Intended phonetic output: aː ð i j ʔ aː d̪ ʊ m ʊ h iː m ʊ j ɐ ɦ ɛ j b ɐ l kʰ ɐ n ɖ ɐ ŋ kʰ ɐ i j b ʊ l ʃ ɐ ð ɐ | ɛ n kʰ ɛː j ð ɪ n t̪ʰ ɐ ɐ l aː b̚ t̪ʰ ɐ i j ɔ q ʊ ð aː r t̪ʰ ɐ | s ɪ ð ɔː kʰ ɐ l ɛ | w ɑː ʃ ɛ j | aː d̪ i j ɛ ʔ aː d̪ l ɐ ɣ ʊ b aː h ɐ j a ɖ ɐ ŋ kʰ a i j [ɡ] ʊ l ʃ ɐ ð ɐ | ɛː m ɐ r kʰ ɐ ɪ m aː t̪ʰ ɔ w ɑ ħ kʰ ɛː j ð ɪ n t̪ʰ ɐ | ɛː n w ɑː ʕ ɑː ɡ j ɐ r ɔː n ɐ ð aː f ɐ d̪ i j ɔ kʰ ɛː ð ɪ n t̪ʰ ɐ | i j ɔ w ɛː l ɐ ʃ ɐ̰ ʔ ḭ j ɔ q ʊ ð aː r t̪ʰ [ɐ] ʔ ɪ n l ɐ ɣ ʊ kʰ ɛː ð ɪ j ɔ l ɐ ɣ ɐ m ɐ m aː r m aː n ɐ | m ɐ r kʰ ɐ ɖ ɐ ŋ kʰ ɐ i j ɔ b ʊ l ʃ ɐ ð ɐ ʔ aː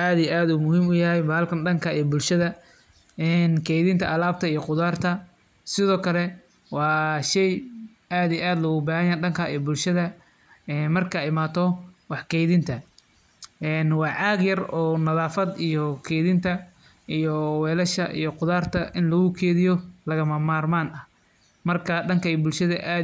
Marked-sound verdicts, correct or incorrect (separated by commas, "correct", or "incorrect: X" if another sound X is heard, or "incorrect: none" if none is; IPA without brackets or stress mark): incorrect: b, correct